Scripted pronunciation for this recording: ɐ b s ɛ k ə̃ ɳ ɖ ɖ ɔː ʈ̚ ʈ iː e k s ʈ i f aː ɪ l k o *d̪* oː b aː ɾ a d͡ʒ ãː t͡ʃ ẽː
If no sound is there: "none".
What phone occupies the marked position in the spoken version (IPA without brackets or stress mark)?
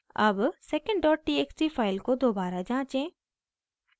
d̪